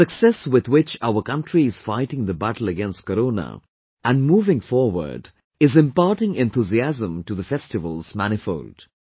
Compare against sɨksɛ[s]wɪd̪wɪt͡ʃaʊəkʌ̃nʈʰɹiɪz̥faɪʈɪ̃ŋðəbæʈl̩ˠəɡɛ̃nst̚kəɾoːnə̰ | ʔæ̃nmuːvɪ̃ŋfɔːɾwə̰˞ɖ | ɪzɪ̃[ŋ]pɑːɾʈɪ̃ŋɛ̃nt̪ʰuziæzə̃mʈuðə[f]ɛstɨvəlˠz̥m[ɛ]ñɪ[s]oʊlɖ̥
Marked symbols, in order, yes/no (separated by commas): yes, no, yes, no, no